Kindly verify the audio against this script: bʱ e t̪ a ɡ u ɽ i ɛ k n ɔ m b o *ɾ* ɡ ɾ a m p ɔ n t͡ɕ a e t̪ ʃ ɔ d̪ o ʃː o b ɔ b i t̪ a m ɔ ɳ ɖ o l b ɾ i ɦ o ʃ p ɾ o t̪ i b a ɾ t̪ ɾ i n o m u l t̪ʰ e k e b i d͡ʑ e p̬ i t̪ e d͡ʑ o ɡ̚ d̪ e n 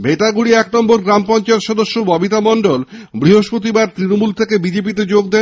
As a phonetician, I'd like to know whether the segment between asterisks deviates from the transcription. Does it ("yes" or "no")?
no